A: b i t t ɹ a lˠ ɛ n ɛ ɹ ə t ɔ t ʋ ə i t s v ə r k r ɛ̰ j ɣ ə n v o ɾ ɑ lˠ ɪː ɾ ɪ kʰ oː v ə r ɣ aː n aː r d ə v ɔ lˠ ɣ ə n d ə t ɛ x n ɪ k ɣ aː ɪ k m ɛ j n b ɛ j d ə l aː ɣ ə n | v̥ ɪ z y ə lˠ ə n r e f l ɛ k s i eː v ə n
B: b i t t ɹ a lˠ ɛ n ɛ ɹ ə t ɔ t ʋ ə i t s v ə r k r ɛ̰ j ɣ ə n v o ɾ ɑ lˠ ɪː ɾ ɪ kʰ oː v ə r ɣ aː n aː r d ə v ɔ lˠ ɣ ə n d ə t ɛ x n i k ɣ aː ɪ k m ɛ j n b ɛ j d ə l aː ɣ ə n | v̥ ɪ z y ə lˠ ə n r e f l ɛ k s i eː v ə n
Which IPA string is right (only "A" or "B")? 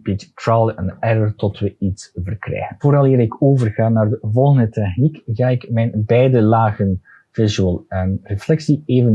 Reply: B